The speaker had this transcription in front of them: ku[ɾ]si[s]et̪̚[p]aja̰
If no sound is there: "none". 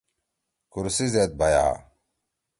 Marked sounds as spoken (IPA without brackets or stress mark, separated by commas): ɾ, z, b